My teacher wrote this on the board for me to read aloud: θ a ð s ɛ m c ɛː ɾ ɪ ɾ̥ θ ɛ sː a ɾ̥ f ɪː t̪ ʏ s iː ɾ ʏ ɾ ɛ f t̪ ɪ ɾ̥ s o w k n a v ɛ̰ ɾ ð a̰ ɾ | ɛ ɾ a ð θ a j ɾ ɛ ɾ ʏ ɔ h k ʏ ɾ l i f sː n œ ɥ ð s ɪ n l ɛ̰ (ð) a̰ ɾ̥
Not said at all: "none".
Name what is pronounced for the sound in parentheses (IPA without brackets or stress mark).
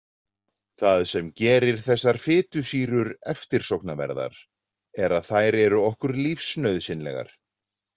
ɣ